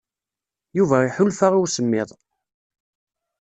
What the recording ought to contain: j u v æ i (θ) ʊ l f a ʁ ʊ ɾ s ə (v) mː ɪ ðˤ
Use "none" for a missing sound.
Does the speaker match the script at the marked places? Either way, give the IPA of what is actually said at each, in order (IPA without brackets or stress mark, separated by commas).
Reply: ħ, none